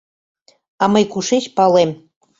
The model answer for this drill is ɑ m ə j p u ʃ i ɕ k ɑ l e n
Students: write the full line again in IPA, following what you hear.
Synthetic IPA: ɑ m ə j k u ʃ e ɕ p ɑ l e m